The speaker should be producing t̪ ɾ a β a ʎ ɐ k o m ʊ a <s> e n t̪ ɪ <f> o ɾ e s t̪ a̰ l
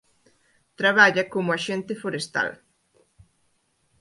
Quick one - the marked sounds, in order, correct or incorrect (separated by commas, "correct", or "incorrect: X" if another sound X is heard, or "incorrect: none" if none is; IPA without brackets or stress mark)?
incorrect: ʃ, correct